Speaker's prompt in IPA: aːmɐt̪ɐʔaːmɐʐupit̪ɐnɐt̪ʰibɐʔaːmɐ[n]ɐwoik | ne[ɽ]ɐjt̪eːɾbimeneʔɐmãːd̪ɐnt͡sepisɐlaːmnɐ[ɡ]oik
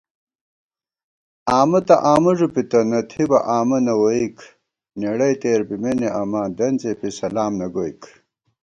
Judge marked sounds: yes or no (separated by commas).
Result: yes, yes, yes